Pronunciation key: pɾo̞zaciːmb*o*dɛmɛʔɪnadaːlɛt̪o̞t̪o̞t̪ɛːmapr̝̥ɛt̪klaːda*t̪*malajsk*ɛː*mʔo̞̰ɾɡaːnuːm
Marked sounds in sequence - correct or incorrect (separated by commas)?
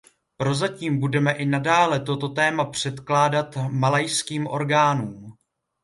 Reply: incorrect, correct, incorrect